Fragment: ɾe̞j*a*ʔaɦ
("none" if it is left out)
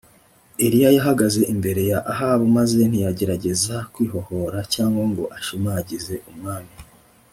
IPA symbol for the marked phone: a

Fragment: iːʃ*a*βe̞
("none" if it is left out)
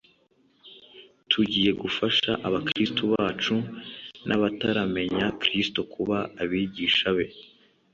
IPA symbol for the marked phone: a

